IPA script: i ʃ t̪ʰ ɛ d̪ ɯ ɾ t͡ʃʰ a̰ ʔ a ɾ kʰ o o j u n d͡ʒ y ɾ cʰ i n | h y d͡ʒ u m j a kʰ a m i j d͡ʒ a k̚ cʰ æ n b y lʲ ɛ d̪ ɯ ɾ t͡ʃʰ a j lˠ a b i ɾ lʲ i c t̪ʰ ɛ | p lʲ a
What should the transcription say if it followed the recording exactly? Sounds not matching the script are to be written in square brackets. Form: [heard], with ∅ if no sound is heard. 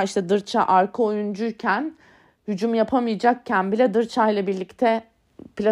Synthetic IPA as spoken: i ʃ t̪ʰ ɛ d̪ ɯ ɾ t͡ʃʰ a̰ ʔ a ɾ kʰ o o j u n d͡ʒ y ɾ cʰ [æ] n | h y d͡ʒ u m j a [pʰ] a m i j d͡ʒ a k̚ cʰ æ n b [i] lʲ ɛ d̪ ɯ ɾ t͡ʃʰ a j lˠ a b i ɾ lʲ i c t̪ʰ ɛ | p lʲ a